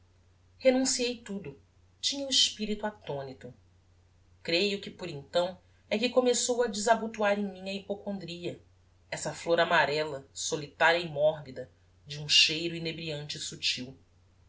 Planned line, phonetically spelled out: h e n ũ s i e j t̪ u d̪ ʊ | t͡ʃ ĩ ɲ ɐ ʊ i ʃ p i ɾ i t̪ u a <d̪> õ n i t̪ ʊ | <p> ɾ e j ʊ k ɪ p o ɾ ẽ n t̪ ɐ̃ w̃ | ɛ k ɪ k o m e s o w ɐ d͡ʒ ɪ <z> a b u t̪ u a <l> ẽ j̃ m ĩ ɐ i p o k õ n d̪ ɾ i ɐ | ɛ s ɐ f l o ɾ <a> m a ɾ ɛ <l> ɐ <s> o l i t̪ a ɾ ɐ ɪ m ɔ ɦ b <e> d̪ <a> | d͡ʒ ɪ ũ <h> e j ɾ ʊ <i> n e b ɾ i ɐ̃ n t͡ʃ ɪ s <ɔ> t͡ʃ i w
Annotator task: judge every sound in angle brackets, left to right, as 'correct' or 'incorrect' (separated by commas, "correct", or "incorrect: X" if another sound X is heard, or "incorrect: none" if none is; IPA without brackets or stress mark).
incorrect: t̪, incorrect: k, correct, incorrect: ɾ, correct, correct, correct, incorrect: i, incorrect: ɐ, incorrect: ʃ, correct, incorrect: u